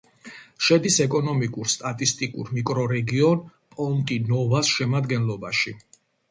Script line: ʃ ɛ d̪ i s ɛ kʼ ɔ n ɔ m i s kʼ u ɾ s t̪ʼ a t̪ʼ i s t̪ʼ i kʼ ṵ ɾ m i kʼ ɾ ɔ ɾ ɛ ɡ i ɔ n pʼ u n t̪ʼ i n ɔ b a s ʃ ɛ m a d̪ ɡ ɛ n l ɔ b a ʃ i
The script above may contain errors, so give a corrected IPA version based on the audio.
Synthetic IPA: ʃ ɛ d̪ i s ɛ kʼ ɔ n ɔ m i kʼ u ɾ s t̪ʼ a t̪ʼ i s t̪ʼ i kʼ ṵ ɾ m i kʼ ɾ ɔ ɾ ɛ ɡ i ɔ n pʼ ɔ n t̪ʼ i n ɔ v a s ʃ ɛ m a d̪ ɡ ɛ n l ɔ b a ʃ i